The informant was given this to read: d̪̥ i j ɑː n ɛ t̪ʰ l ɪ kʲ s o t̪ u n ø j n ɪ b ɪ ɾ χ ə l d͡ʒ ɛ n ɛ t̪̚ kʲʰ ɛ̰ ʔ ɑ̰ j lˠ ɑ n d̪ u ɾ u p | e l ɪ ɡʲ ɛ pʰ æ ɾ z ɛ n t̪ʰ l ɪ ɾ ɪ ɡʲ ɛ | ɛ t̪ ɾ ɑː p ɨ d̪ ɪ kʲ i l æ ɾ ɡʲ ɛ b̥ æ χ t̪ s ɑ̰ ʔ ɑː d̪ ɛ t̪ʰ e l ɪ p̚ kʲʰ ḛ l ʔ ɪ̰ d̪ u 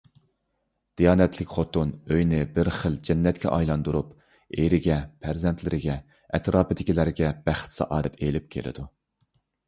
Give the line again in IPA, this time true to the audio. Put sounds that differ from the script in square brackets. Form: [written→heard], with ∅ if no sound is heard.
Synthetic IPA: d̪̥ i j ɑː n ɛ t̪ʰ l ɪ kʲ [s→χ] o t̪ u n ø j n ɪ b ɪ ɾ χ ə l d͡ʒ ɛ [n→nː] ɛ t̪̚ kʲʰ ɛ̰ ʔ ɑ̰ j lˠ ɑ n d̪ u ɾ u p | e [l→ɾ] ɪ ɡʲ ɛ pʰ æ ɾ z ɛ n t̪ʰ l ɪ ɾ ɪ ɡʲ ɛ | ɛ t̪ ɾ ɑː p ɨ d̪ ɪ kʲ i l æ ɾ ɡʲ ɛ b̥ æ χ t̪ s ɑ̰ ʔ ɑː d̪ ɛ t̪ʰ e l ɪ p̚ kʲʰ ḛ l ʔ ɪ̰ d̪ u

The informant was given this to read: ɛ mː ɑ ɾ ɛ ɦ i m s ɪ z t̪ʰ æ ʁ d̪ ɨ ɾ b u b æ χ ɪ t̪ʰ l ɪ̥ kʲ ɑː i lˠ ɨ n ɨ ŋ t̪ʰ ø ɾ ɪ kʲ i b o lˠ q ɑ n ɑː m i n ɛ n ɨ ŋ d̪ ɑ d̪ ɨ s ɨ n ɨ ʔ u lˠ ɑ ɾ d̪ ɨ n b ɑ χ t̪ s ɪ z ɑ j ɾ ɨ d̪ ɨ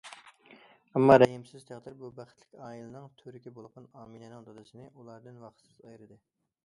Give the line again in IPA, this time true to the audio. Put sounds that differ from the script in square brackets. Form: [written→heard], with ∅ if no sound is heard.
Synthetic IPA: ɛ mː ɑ ɾ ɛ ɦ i m s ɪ z t̪ʰ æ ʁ d̪ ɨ ɾ b u b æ χ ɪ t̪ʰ l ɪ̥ kʲ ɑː i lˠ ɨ n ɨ ŋ t̪ʰ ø ɾ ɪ kʲ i b o lˠ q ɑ n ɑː m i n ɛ n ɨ ŋ d̪ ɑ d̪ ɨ s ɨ n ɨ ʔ u lˠ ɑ ɾ d̪ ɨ n [b→w] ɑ χ t̪ s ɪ z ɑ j ɾ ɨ d̪ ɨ

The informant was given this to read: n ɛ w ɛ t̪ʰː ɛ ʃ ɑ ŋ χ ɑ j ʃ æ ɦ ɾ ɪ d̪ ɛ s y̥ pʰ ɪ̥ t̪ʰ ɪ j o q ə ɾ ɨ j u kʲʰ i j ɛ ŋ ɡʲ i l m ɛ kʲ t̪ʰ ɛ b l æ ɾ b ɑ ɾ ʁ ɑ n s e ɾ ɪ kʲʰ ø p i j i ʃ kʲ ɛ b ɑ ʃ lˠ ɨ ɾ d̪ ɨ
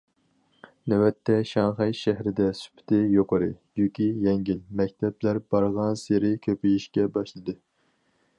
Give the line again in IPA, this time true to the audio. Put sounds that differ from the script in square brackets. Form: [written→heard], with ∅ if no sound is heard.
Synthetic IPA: n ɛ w ɛ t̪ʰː ɛ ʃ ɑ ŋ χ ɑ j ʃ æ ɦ ɾ ɪ d̪ ɛ s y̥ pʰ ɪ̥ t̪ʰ ɪ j o q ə ɾ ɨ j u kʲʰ i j ɛ ŋ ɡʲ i l m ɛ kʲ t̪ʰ ɛ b l æ ɾ b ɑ ɾ ʁ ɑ n s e ɾ ɪ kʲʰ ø p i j i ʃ kʲ ɛ b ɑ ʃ lˠ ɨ [ɾ→∅] d̪ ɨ

